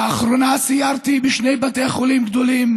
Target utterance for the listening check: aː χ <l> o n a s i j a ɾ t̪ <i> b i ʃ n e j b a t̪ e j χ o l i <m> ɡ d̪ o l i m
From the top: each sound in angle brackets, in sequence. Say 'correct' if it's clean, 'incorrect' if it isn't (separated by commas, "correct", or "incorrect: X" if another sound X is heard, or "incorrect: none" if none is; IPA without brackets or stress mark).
incorrect: ɾ, correct, correct